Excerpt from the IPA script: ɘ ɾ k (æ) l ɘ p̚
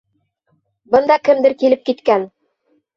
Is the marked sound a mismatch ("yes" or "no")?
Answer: yes